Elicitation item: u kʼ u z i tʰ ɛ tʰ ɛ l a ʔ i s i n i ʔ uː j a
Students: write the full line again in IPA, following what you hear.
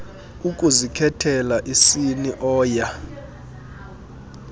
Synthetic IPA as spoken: u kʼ u z i kʰ ɛ tʰ ɛ l a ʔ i s i n i ʔ ɔː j a